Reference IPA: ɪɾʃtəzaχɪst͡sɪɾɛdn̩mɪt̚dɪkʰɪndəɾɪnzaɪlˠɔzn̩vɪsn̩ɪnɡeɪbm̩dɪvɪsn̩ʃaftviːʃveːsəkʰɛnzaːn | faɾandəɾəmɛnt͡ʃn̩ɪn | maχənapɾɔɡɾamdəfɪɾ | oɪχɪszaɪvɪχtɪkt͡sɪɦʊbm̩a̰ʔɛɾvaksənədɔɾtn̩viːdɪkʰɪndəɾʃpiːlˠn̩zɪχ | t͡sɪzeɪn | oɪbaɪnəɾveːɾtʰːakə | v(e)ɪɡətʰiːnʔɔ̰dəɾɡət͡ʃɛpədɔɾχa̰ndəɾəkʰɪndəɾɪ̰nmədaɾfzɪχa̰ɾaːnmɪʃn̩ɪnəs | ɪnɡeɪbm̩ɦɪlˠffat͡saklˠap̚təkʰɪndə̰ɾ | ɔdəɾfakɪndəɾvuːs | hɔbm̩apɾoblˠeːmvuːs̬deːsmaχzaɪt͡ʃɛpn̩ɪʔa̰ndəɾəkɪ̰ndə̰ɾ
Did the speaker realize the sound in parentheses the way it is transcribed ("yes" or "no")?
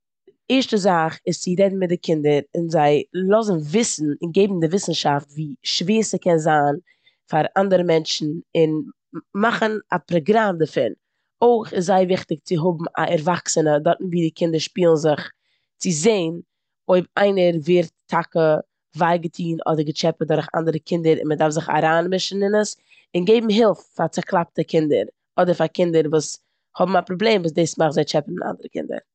no